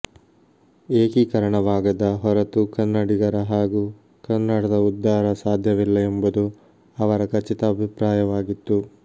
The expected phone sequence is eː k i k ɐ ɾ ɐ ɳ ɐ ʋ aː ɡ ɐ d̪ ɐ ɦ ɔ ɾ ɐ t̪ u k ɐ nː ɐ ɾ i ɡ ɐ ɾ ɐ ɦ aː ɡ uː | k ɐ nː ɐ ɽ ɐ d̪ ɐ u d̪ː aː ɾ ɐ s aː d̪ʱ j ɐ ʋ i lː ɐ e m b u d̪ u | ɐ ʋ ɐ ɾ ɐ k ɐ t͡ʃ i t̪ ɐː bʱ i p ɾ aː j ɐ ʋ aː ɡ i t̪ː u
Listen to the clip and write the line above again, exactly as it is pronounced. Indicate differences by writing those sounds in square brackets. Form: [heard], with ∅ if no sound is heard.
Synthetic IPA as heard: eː k i k ɐ ɾ ɐ ɳ ɐ ʋ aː ɡ ɐ d̪ ɐ ɦ ɔ ɾ ɐ t̪ u k ɐ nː ɐ [ɽ] i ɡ ɐ ɾ ɐ ɦ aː ɡ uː | k ɐ nː ɐ ɽ ɐ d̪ ɐ u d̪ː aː ɾ ɐ s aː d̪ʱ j ɐ ʋ i lː ɐ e m b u d̪ u | ɐ ʋ ɐ ɾ ɐ k ɐ t͡ʃ i t̪ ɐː bʱ i p ɾ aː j ɐ ʋ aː ɡ i t̪ː u